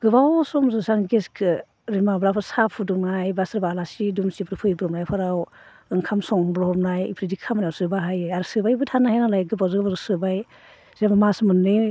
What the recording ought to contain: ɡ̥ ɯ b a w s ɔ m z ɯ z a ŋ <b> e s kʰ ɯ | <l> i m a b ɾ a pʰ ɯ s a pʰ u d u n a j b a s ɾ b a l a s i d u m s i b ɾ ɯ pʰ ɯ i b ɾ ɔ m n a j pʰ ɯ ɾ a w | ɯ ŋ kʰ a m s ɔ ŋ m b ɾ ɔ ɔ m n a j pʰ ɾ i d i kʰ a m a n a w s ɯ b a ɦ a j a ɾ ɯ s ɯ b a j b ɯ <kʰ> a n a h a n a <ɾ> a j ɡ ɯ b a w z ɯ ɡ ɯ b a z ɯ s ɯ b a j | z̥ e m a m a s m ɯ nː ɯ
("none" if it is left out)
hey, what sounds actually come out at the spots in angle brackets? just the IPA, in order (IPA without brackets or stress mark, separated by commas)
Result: ɡ, ɾ, tʰ, l